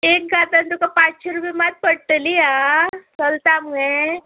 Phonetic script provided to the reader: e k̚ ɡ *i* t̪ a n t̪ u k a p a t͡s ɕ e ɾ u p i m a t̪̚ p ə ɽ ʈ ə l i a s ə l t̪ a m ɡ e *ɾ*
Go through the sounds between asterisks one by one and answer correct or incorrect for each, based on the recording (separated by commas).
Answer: incorrect, incorrect